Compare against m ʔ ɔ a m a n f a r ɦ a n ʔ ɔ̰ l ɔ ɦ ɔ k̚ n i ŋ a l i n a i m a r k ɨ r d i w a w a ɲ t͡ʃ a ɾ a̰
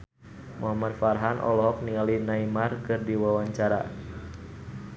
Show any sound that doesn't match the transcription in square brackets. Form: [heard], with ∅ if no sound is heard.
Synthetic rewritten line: m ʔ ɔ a m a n f a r ɦ a n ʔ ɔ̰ l ɔ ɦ ɔ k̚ n i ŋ a l i n a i m a r k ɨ r d i w a w a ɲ t͡ʃ a ɾ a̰